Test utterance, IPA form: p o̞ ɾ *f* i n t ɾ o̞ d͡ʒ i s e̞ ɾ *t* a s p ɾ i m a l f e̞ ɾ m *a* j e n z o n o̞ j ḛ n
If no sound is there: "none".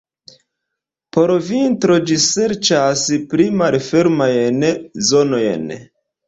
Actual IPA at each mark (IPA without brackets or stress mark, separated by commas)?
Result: v, t͡ʃ, a